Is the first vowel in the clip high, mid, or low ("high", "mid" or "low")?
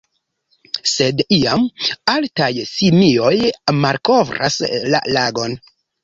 mid